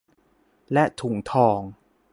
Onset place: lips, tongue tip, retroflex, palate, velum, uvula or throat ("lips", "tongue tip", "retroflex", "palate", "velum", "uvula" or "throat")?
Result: tongue tip